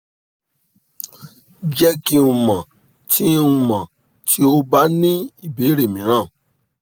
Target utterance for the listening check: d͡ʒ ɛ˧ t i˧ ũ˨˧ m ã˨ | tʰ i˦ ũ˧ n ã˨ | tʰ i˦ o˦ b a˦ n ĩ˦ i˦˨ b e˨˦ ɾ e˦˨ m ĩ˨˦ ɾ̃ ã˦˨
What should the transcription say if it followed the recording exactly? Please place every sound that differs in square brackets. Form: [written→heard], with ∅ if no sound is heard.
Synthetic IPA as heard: d͡ʒ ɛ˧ [t→k] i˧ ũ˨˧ m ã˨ | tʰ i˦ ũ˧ [n→m] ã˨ | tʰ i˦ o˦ b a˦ n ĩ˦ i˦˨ b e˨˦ ɾ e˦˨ m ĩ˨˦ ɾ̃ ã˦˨